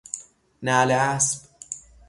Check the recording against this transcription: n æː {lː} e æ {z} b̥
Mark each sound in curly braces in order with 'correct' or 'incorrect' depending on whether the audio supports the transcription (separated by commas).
incorrect, incorrect